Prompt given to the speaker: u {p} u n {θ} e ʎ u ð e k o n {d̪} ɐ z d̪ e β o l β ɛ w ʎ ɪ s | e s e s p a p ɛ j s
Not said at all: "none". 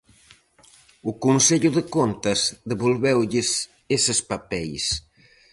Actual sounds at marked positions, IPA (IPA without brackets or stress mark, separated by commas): k, s, t̪